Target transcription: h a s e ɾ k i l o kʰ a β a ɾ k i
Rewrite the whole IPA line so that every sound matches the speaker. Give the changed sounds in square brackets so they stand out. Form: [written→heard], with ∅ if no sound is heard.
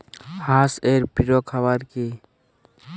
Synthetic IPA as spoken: h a s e ɾ [k→p] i [l→ɾ] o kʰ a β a ɾ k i